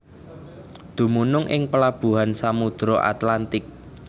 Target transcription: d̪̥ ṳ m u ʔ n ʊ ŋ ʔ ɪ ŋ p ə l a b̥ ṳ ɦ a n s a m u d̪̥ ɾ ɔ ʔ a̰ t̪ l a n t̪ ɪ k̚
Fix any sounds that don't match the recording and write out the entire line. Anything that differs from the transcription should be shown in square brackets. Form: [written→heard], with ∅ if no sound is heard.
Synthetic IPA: d̪̥ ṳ m u [ʔ→∅] n ʊ ŋ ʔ ɪ ŋ p ə l a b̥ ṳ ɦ a n s a m u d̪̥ ɾ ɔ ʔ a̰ t̪ l a n t̪ ɪ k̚